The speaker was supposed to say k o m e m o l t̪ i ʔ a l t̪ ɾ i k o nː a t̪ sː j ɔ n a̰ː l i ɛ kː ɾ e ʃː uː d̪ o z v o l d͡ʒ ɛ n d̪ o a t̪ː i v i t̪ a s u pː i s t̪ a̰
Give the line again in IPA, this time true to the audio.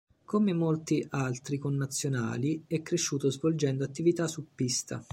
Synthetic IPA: k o m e m o l t̪ i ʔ a l t̪ ɾ i k o nː a t̪ sː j o n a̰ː l i ɛ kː ɾ e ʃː uː t̪ o z v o l d͡ʒ ɛ n d̪ o a t̪ː i v i t̪ a s u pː i s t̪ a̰